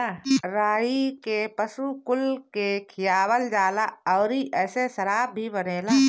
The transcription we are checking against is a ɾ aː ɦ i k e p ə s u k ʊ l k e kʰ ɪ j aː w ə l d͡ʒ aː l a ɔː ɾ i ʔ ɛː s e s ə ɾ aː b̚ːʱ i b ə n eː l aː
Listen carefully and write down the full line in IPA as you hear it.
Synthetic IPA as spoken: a ɾ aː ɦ i k e p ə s u k ʊ l k e kʰ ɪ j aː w ə l d͡ʒ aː l a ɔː ɾ i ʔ ɛː s e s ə ɾ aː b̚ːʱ i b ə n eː l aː